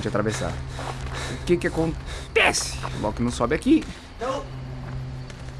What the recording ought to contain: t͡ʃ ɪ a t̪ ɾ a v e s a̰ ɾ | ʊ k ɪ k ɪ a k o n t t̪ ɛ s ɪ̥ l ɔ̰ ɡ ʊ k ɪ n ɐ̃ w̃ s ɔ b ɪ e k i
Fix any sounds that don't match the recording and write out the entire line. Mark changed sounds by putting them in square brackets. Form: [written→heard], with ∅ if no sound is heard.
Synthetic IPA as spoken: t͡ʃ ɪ a t̪ ɾ a v e s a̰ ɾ | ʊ k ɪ k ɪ a k [o→õ] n t t̪ ɛ s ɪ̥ l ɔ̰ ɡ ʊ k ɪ n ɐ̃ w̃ s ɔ b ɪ [e→a] k i